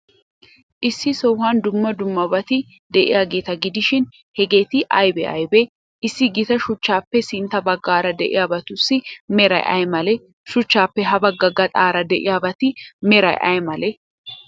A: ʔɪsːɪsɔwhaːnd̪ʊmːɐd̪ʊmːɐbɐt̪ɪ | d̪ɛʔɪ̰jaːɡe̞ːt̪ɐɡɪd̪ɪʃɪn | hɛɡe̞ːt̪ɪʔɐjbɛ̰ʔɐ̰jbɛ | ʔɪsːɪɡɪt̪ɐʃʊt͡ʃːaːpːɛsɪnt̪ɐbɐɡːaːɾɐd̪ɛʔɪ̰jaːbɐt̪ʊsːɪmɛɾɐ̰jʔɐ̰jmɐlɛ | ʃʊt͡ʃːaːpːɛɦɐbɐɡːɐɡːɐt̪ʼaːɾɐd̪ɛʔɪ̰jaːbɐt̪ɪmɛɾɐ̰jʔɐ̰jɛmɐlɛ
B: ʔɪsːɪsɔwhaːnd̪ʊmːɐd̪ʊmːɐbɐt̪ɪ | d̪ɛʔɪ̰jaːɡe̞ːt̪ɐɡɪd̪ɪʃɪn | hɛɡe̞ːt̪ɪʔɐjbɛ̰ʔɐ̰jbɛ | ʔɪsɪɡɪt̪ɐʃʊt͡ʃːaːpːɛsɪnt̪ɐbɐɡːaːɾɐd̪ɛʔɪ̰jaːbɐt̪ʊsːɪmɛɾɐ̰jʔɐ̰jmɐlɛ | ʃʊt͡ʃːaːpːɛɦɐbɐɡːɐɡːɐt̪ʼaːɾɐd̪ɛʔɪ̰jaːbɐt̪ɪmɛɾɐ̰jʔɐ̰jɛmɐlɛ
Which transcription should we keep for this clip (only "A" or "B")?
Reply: A